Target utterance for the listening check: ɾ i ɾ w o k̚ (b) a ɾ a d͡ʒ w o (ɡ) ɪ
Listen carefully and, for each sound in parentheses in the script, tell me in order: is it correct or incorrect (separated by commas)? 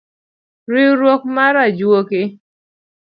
incorrect, incorrect